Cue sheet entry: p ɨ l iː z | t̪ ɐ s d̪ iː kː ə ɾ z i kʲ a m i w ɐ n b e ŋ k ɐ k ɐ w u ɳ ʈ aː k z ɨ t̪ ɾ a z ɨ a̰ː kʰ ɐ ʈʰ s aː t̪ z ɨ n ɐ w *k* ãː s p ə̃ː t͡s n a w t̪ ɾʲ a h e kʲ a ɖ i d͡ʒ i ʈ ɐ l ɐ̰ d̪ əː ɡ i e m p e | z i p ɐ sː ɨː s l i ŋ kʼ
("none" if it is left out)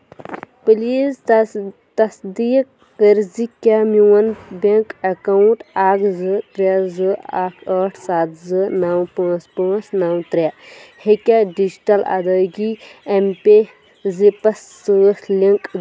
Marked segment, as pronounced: p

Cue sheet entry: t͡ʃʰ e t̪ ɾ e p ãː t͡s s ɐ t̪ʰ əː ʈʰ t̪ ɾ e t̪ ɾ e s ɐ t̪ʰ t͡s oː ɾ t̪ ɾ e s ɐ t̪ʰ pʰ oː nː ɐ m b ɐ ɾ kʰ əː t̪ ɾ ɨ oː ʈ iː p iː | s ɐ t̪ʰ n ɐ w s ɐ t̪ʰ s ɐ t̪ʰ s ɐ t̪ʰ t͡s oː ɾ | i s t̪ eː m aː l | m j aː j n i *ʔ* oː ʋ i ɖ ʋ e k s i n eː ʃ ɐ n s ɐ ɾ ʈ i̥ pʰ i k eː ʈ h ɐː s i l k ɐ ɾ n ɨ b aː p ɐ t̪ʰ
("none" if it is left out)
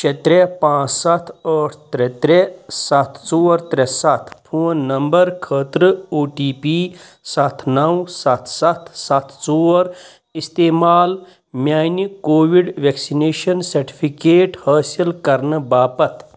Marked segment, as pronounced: k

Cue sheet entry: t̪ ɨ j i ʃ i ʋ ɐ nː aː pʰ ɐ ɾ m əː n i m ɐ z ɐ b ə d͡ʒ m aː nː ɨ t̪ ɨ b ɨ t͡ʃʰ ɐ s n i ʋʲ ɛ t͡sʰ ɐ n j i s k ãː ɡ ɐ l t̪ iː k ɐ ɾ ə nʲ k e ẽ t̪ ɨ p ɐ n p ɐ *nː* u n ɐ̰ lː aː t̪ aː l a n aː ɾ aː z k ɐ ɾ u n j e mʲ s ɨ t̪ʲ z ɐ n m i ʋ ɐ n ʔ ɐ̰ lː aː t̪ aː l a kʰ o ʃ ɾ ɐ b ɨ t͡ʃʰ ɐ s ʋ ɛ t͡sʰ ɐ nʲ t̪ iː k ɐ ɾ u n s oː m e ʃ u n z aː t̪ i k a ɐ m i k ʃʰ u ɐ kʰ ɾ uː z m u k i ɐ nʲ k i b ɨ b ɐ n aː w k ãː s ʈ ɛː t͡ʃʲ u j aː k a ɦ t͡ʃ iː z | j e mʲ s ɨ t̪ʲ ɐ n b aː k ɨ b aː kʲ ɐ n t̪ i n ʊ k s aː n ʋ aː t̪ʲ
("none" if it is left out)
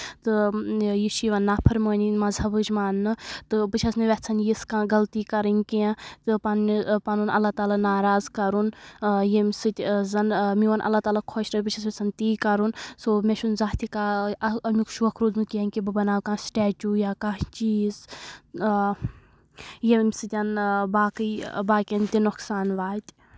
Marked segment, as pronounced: n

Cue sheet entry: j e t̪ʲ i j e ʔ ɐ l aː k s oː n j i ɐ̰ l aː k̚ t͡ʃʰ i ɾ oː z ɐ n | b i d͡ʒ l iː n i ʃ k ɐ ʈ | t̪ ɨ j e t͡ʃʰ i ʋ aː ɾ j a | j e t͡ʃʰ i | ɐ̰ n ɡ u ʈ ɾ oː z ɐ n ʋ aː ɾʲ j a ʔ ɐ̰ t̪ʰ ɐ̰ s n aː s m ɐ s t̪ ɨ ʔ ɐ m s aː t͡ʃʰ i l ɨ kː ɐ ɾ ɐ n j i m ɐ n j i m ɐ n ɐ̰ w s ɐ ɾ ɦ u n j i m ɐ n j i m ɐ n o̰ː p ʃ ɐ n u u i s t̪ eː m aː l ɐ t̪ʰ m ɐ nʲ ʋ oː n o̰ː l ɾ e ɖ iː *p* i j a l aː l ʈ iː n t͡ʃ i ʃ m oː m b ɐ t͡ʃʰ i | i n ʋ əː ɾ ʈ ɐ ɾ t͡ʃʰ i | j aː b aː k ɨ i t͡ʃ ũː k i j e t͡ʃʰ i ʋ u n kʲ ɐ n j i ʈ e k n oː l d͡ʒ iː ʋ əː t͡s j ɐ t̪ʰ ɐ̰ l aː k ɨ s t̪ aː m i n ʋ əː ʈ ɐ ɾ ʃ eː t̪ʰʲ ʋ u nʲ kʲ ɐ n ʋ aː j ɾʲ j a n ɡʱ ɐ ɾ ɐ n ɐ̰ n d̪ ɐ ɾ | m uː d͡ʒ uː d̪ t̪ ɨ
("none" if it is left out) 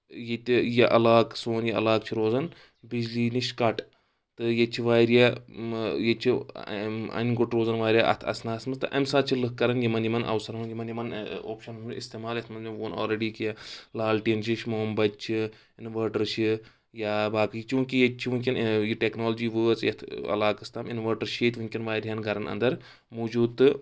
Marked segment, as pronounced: k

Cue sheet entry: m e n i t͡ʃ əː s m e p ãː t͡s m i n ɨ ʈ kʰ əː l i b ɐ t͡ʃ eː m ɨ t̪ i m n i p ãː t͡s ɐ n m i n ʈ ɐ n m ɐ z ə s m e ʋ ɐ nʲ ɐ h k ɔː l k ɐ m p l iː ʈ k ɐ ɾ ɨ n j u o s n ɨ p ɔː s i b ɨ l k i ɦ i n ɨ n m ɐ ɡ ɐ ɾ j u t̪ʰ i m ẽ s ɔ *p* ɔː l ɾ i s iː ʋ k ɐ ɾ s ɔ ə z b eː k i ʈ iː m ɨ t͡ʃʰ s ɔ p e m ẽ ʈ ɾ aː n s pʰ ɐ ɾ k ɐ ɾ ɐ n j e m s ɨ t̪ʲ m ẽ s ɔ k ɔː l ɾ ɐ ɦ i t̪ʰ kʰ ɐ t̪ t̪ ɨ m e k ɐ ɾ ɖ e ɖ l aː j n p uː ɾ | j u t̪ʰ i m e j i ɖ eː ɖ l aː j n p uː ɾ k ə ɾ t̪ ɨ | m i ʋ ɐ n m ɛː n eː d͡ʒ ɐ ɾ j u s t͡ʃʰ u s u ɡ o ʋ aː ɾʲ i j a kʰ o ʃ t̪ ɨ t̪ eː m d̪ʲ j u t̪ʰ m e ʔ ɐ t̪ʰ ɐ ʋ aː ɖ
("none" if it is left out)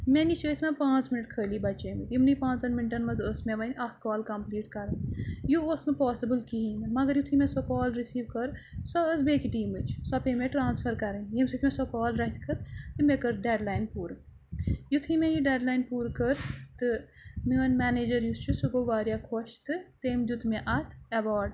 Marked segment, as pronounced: k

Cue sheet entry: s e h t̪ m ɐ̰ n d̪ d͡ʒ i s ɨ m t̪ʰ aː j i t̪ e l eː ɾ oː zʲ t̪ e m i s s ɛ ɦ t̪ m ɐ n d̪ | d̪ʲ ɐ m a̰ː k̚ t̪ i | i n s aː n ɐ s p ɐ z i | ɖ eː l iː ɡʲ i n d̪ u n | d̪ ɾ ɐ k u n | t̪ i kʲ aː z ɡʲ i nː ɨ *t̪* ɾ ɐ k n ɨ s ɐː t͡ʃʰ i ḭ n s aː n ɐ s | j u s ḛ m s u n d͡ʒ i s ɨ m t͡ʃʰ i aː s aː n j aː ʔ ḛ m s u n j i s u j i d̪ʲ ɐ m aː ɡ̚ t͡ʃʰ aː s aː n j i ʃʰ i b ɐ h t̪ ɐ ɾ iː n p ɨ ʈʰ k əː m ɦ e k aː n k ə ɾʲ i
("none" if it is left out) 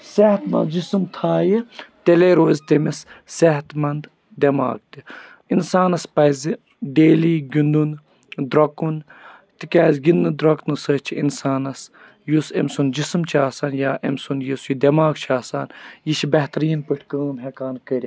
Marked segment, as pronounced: d̪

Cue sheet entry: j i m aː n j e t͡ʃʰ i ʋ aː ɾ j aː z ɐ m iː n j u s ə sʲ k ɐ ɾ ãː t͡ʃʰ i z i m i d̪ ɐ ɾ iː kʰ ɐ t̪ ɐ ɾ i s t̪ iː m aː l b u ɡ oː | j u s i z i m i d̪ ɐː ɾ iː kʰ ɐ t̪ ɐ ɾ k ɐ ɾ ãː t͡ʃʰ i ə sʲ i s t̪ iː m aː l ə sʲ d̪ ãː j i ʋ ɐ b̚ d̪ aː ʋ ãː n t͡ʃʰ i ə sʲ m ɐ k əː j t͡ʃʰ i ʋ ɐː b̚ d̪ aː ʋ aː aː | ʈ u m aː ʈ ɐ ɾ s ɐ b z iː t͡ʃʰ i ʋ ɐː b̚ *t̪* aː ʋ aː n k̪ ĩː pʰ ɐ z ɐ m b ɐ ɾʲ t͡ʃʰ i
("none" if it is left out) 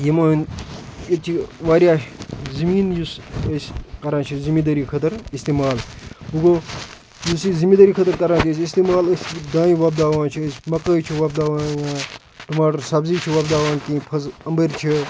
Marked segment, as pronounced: d̪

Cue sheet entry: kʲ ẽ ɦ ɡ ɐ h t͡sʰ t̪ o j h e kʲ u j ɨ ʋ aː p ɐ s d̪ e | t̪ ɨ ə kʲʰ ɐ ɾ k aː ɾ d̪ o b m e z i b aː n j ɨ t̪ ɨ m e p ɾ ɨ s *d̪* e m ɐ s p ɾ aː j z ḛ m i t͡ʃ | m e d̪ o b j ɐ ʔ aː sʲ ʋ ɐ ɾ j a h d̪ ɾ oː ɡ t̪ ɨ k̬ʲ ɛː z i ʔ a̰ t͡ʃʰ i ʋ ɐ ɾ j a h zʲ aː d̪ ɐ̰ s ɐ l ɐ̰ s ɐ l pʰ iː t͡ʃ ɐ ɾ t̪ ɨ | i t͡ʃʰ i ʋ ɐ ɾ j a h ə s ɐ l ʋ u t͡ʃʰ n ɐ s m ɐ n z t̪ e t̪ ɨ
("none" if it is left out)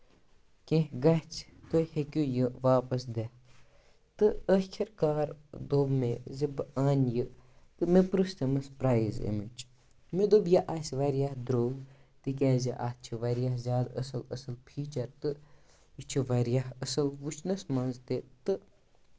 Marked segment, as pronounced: t̪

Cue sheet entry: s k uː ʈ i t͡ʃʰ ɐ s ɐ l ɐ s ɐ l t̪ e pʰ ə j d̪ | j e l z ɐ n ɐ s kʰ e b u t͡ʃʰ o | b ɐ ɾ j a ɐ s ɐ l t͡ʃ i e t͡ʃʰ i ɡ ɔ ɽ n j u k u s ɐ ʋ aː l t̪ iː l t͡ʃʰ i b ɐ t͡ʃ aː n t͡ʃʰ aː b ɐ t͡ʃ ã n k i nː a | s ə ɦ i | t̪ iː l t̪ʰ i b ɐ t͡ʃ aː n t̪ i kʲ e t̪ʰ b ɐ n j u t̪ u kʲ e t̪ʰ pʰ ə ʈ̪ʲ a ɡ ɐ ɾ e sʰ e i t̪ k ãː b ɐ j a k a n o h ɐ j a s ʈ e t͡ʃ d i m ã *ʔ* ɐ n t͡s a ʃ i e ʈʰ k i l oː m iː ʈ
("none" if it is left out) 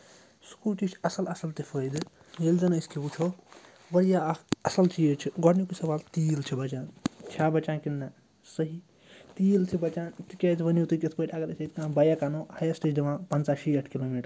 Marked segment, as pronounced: p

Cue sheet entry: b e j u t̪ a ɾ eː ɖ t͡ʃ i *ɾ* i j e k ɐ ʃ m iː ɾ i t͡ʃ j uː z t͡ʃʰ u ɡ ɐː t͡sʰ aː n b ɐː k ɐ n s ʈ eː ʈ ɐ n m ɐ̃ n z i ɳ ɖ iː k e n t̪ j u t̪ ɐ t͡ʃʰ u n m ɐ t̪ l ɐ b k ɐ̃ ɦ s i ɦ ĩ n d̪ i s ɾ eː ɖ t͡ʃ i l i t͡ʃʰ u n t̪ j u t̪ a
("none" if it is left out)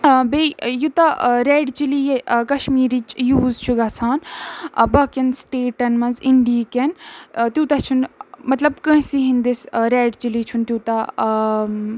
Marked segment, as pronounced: l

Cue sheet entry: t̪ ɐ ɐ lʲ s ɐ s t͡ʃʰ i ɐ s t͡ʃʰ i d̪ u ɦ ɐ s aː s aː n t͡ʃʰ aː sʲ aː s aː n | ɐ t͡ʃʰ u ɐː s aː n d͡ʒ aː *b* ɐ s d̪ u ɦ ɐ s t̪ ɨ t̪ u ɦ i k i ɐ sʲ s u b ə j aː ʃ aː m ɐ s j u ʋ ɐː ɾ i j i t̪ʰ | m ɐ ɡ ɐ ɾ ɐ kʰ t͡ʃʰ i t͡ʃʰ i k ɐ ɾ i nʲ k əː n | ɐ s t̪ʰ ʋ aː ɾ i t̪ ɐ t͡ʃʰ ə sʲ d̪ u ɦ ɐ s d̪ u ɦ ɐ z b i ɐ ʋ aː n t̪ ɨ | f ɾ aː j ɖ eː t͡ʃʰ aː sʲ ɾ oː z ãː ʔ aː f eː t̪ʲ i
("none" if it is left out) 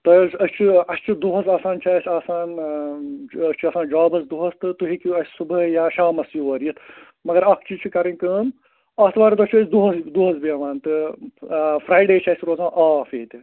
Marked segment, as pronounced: b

